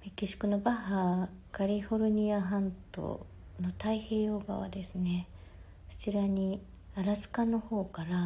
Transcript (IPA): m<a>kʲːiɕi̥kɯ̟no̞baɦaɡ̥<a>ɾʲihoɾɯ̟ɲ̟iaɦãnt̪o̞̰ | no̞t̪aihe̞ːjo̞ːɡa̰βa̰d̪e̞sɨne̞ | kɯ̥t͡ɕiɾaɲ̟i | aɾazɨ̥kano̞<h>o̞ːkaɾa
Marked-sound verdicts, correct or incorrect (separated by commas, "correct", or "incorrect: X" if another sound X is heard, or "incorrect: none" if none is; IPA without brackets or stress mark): incorrect: e, correct, correct